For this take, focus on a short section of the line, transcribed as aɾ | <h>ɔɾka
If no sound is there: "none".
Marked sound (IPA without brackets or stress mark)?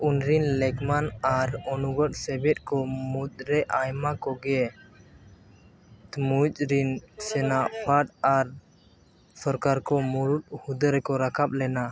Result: s